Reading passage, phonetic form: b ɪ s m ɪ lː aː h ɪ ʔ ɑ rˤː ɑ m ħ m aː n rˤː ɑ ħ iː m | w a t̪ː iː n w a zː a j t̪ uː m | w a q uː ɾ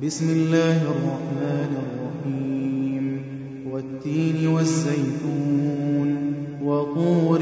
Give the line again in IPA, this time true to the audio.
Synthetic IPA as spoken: b ɪ s m ɪ lː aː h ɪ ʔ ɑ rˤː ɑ ħ m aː n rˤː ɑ ħ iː m | w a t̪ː iː n w a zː a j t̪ uː n | w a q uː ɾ